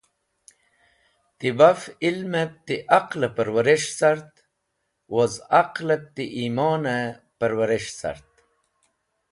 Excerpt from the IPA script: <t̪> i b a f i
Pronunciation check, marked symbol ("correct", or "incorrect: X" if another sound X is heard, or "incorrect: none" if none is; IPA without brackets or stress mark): correct